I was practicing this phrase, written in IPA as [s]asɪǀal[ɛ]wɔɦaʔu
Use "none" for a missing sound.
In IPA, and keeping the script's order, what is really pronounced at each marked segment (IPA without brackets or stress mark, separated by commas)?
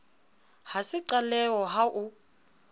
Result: h, ɛ